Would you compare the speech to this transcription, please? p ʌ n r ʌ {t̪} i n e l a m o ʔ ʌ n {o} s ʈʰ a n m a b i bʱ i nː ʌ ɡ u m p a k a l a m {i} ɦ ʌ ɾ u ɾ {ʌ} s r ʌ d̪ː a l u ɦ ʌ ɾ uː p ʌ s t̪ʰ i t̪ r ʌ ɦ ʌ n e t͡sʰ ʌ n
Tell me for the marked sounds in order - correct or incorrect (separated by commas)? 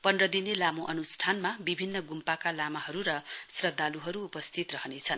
incorrect, incorrect, incorrect, correct